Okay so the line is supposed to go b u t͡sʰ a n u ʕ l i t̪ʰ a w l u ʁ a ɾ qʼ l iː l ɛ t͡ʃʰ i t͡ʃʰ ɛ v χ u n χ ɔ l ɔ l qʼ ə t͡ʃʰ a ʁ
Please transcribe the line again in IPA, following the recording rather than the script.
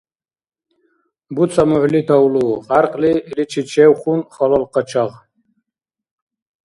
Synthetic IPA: b u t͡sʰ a m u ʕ l i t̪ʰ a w l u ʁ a ɾ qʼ l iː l i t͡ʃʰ i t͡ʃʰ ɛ w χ u n χ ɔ l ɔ l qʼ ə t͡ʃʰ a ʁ